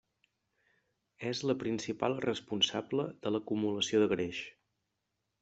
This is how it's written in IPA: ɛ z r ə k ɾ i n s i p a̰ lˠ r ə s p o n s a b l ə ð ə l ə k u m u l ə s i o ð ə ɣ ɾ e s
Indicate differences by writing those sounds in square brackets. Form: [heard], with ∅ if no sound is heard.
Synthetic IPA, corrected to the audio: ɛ z [l] ə [p] ɾ i n s i p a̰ lˠ r ə s p [u] n s a b l ə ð ə l ə k u m u l ə s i o ð ə ɣ ɾ e [ʃ]